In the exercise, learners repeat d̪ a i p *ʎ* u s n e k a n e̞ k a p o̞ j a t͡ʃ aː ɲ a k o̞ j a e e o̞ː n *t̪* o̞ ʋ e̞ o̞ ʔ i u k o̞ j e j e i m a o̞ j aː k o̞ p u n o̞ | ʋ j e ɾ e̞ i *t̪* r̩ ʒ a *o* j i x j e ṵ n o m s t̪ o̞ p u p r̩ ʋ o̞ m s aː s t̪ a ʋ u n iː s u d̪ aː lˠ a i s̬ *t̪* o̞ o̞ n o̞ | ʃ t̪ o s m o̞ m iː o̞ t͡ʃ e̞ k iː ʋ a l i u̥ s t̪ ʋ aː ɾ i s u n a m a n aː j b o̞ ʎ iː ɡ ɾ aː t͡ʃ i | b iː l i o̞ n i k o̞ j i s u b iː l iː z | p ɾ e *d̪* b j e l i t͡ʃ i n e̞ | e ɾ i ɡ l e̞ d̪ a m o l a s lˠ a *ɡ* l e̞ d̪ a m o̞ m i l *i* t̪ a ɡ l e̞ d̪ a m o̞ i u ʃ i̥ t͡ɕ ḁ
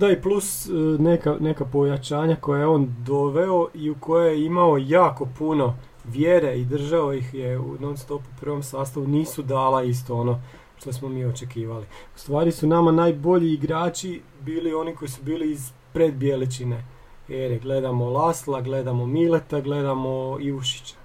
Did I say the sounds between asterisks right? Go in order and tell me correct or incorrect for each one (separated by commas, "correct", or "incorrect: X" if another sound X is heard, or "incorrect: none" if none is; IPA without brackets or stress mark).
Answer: incorrect: l, incorrect: d̪, incorrect: d̪, correct, correct, correct, correct, incorrect: e